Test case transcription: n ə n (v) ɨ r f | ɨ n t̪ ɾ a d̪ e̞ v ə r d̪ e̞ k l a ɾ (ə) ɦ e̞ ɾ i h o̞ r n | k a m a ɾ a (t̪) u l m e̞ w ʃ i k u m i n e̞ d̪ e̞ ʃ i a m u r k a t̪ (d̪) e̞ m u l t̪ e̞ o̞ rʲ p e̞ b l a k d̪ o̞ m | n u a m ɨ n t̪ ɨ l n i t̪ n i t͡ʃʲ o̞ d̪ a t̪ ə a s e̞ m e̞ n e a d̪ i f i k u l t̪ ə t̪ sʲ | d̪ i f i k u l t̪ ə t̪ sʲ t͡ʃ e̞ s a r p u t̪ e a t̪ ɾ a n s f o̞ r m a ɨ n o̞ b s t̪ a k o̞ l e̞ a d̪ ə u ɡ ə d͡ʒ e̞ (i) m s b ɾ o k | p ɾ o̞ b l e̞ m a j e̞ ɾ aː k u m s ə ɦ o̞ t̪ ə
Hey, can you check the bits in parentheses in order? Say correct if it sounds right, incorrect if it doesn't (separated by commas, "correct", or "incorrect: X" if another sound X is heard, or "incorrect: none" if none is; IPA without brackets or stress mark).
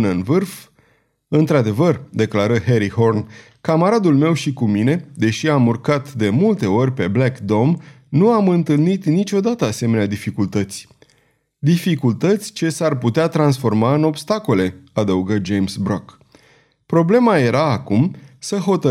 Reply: correct, correct, incorrect: d̪, correct, incorrect: j